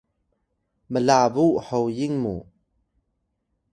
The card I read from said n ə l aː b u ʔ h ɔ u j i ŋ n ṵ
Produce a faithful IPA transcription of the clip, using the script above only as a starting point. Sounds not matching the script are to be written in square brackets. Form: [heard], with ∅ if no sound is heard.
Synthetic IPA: [m] ə l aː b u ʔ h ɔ [w] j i ŋ [m] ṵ